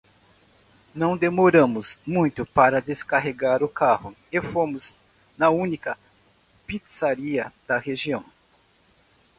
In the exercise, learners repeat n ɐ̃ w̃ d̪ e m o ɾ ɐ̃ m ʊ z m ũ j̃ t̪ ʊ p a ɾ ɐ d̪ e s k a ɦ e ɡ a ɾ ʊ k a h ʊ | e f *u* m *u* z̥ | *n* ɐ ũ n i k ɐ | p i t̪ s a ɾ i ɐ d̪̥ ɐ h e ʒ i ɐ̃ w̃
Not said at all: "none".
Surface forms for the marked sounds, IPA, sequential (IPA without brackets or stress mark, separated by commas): o, ʊ, n